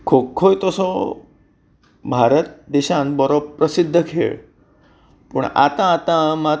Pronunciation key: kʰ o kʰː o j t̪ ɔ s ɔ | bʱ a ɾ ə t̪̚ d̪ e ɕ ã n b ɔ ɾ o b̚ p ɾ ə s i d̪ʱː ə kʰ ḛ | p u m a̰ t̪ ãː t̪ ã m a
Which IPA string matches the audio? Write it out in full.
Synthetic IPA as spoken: kʰ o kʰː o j t̪ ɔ s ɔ | bʱ a ɾ ə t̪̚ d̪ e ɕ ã n b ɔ ɾ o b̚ p ɾ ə s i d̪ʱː ə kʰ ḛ | p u ɳ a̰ t̪ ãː t̪ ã m a